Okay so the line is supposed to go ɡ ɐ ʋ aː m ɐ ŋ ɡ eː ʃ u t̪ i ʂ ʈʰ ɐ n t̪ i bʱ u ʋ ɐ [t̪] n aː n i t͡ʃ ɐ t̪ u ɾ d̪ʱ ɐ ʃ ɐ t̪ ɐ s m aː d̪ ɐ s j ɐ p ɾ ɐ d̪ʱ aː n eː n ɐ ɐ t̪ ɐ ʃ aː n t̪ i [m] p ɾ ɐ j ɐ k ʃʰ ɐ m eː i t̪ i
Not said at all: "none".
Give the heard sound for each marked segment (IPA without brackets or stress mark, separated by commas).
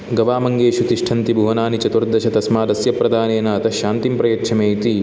none, m